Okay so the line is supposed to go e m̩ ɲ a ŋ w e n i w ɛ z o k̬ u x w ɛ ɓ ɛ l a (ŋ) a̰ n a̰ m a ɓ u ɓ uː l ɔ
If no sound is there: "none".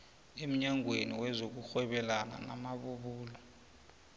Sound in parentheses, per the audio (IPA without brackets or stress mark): n